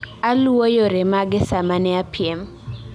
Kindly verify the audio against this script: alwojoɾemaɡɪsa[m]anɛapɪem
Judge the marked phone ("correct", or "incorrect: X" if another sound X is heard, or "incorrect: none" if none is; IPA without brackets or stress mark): correct